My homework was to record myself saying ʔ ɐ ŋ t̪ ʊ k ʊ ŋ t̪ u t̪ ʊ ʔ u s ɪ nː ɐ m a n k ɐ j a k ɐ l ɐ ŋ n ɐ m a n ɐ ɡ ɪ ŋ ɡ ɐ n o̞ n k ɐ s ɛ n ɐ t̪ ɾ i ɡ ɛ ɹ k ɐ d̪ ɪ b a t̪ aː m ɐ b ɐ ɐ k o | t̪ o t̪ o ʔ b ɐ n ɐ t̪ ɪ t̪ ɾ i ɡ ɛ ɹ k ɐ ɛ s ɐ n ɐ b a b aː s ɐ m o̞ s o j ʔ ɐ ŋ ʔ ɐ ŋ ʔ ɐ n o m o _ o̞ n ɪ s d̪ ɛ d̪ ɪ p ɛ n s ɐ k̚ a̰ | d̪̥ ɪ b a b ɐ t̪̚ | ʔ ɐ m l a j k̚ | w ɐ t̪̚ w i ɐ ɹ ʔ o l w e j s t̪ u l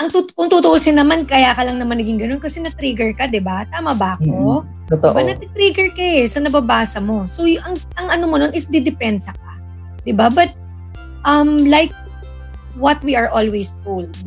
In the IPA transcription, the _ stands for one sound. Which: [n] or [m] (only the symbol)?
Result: n